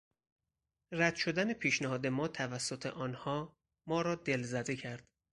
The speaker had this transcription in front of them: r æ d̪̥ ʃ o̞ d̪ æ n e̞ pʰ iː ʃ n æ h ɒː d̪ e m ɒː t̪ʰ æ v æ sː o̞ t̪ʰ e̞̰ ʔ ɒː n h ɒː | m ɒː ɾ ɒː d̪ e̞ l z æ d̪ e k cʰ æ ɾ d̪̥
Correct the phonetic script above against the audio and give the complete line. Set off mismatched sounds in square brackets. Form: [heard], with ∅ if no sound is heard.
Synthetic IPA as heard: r æ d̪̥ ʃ o̞ d̪ æ n e̞ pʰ iː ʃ n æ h ɒː d̪ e m ɒː t̪ʰ æ v æ sː o̞ t̪ʰ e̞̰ ʔ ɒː n h ɒː | m ɒː ɾ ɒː d̪ e̞ l z æ d̪ e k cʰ æ ɾ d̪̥